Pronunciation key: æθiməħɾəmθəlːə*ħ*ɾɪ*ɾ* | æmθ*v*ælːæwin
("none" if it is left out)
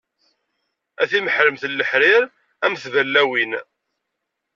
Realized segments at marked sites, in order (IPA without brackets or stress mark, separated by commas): ħ, ɾ, v